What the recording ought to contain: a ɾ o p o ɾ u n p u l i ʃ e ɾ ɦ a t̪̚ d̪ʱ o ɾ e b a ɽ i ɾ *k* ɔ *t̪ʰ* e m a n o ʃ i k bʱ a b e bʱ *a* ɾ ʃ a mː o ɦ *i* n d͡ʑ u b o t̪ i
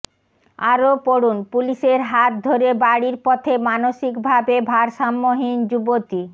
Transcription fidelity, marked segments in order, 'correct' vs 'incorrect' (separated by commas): incorrect, correct, correct, correct